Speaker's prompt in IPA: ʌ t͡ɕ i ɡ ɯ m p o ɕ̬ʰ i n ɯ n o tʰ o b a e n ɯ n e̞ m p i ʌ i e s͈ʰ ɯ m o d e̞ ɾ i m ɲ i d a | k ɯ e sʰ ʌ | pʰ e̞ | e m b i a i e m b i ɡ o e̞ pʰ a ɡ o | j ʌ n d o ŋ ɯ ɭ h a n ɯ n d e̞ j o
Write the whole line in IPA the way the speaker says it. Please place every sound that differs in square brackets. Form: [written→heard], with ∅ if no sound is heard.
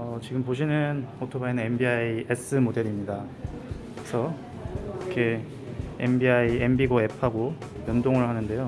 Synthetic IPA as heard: ʌ t͡ɕ i ɡ ɯ m p o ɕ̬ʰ i n ɯ n o tʰ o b a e n ɯ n e̞ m [p→b] i [ʌ→a] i e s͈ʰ ɯ m o d e̞ ɾ i m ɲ i d a | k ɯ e sʰ ʌ | [pʰ→kʰ] e̞ | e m b i a i e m b i ɡ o e̞ pʰ a ɡ o | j ʌ n d o ŋ ɯ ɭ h a n ɯ n d e̞ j o

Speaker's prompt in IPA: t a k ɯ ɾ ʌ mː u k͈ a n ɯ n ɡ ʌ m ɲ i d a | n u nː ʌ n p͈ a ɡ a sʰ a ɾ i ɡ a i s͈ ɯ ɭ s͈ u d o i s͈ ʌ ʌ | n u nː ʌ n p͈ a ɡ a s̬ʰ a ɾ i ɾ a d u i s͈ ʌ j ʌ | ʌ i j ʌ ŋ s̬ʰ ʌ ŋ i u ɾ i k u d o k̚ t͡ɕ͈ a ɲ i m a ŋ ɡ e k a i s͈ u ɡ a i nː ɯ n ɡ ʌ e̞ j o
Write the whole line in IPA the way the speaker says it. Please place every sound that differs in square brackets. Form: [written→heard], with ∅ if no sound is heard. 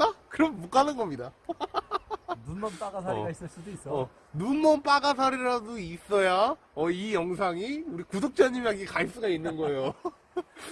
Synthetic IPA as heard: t a k ɯ ɾ ʌ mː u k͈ a n ɯ n ɡ ʌ m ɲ i d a | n u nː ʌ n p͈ a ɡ a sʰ a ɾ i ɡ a i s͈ ɯ ɭ s͈ u d o i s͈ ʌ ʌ | n u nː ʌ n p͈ a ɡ a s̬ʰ a ɾ i ɾ a d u i s͈ ʌ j [ʌ→a] | ʌ i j ʌ ŋ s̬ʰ [ʌ→a] ŋ i u ɾ i k u d o k̚ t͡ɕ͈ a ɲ i m a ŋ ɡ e k a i s͈ u ɡ a i nː ɯ n ɡ ʌ e̞ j o

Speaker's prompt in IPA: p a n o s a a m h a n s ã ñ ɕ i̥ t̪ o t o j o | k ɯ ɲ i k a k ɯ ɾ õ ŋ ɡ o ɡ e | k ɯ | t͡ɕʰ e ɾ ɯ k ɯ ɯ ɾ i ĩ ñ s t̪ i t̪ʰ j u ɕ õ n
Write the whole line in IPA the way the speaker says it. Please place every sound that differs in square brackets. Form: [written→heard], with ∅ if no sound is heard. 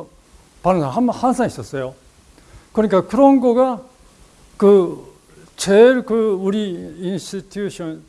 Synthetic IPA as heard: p a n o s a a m h a n s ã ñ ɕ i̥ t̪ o [t→s] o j o | k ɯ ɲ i k a k ɯ ɾ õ ŋ ɡ o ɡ [e→a] | k ɯ | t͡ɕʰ e ɾ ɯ k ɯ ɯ ɾ i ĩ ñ s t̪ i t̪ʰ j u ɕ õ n

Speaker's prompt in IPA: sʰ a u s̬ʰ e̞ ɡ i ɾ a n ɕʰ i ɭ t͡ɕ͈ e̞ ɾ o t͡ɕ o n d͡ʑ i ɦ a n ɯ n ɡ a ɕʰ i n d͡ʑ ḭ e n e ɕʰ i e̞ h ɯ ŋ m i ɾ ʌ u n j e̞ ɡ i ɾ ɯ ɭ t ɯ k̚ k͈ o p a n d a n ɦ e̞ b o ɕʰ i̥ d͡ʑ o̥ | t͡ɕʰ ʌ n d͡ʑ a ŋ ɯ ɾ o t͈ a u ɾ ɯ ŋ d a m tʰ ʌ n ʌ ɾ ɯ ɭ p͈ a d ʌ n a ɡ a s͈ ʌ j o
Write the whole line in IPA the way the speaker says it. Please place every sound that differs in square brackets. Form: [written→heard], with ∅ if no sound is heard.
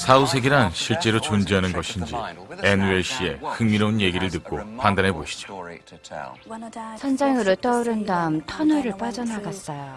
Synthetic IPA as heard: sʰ a u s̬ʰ e̞ ɡ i ɾ a n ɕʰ i ɭ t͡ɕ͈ e̞ ɾ o t͡ɕ o n d͡ʑ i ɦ a n ɯ n ɡ [a→ʌ] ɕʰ i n d͡ʑ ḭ e n e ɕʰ i e̞ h ɯ ŋ m i ɾ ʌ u n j e̞ ɡ i ɾ ɯ ɭ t ɯ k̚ k͈ o p a n d a n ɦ e̞ b o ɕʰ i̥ d͡ʑ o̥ | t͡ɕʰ ʌ n d͡ʑ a ŋ ɯ ɾ o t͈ [a→ʌ] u ɾ ɯ [ŋ→n] d a m tʰ ʌ n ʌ ɾ ɯ ɭ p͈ a [d→d͡ʑ] ʌ n a ɡ a s͈ ʌ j o

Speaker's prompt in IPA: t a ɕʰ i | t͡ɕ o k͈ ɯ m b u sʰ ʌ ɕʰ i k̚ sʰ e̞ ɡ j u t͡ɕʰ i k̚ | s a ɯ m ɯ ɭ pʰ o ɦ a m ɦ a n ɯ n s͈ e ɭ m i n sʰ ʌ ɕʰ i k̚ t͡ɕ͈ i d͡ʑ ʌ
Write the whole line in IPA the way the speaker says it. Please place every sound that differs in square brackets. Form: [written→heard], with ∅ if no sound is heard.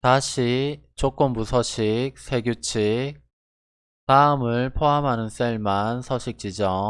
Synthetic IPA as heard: t a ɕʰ i | t͡ɕ o k͈ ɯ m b u sʰ ʌ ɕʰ i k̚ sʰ e̞ ɡ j u t͡ɕʰ i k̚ | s a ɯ m ɯ ɭ pʰ o ɦ a m ɦ a n ɯ n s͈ e ɭ m [i→a] n sʰ ʌ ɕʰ i k̚ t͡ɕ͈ i d͡ʑ ʌ

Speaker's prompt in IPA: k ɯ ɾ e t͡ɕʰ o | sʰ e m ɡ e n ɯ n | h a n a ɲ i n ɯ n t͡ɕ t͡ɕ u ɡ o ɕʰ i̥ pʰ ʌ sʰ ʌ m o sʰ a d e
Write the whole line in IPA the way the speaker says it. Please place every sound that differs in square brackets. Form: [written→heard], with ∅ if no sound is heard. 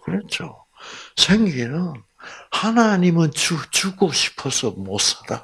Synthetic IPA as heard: k ɯ ɾ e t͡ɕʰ o | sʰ e [m→ŋ] ɡ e n ɯ n | h a n a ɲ i [n→m] ɯ n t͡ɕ t͡ɕ u ɡ o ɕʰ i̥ pʰ ʌ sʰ ʌ m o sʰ a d [e→a]

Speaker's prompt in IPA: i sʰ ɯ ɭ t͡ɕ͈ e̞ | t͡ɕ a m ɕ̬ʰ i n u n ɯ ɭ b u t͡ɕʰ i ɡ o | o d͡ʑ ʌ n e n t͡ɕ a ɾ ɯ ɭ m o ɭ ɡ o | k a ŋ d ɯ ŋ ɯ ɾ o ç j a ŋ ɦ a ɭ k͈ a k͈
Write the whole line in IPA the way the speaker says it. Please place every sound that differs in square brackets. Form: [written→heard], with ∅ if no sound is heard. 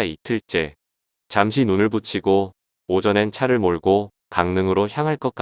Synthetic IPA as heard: i [sʰ→tʰ] ɯ ɭ t͡ɕ͈ e̞ | t͡ɕ a m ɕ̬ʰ i n u n ɯ ɭ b u t͡ɕʰ i ɡ o | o d͡ʑ ʌ n e n [t͡ɕ→t͡ɕʰ] a ɾ ɯ ɭ m o ɭ ɡ o | k a ŋ [d→n] ɯ ŋ ɯ ɾ o ç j a ŋ ɦ a ɭ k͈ [a→ʌ] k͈

